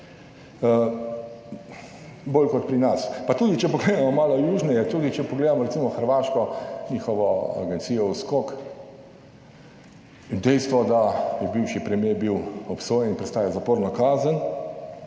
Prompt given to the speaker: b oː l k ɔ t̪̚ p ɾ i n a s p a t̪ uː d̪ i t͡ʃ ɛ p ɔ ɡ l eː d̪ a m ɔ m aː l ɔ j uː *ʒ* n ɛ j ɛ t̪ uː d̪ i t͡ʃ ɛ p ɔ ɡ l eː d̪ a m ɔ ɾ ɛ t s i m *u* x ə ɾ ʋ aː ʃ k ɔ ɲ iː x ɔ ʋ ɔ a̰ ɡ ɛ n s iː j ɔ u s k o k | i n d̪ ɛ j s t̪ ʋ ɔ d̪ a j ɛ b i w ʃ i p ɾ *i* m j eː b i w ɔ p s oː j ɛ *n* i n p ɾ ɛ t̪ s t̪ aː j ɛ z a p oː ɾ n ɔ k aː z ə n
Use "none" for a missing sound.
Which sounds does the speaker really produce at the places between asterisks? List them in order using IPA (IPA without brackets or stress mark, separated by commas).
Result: ʒ, ɔ, ɛ, n